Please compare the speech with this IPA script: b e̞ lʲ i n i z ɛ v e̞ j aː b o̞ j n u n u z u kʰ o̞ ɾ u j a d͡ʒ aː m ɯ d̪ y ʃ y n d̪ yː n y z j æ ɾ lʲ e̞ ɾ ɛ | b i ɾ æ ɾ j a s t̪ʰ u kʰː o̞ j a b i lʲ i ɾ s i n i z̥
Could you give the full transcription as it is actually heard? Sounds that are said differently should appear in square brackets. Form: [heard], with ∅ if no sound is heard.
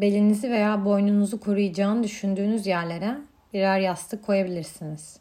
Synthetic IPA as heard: b e̞ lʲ i n i z [i] v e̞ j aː b o̞ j n u n u z u kʰ o̞ ɾ u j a d͡ʒ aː [n] ɯ d̪ y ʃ y n d̪ yː n y z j æ ɾ lʲ e̞ ɾ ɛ | b i ɾ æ ɾ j a s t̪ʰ [ɯ] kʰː o̞ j a b i lʲ i ɾ s i n i z̥